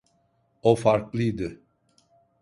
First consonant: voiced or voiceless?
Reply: voiceless